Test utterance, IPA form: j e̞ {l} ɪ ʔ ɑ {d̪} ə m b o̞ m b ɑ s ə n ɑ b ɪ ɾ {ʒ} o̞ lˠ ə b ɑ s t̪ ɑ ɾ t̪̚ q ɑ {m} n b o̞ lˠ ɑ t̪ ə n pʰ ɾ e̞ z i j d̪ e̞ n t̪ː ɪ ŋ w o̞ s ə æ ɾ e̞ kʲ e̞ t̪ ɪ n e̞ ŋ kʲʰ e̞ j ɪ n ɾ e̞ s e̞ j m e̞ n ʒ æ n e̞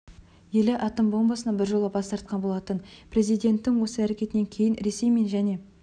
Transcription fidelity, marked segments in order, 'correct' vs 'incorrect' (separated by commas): correct, incorrect, correct, incorrect